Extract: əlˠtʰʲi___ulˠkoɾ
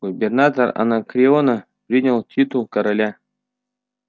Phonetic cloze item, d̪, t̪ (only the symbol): t̪